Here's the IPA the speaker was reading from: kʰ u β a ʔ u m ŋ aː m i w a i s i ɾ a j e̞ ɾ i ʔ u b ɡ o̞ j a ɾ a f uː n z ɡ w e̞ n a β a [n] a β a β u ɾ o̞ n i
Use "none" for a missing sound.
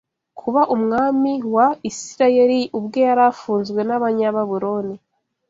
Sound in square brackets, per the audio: ɲ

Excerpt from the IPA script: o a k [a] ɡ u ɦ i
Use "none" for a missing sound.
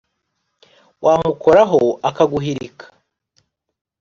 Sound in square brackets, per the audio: a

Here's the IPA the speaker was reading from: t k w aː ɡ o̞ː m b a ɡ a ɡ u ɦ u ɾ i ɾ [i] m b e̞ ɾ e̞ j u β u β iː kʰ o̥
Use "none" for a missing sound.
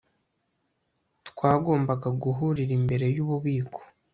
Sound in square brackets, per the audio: i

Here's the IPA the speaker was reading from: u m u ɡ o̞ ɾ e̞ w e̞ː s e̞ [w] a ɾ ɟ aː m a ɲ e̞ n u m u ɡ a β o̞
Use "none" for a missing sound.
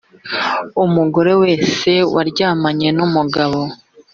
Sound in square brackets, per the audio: w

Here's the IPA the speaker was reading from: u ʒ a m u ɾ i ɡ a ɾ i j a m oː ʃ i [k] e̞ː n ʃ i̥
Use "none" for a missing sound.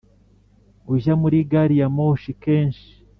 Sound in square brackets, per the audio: k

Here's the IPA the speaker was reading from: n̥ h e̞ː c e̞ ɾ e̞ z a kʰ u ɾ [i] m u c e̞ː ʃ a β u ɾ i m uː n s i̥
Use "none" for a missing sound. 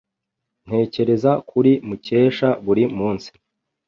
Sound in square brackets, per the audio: i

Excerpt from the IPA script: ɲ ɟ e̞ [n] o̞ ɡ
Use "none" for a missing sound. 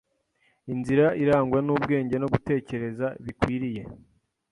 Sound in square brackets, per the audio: n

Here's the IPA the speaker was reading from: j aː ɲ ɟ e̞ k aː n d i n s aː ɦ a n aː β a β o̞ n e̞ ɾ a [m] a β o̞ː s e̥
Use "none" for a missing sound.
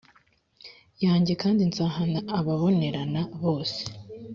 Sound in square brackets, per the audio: n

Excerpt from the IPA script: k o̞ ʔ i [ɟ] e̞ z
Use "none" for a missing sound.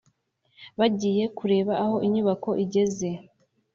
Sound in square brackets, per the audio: ɟ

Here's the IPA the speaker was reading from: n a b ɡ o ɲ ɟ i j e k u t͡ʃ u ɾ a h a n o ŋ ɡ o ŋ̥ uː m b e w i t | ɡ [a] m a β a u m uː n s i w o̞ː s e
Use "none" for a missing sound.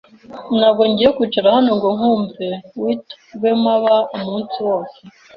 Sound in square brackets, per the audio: e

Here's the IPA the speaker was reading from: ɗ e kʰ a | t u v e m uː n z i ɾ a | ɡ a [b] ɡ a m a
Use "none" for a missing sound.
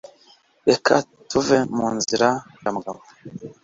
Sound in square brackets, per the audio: m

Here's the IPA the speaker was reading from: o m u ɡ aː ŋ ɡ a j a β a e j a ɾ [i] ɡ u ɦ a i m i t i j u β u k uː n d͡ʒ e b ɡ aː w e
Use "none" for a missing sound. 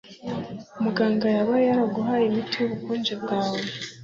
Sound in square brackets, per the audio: a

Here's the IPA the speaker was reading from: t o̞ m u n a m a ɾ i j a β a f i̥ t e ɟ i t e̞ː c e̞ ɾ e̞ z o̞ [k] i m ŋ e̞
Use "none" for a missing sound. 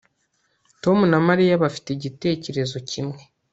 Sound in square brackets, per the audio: c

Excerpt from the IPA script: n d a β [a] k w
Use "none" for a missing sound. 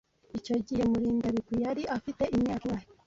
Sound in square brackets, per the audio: i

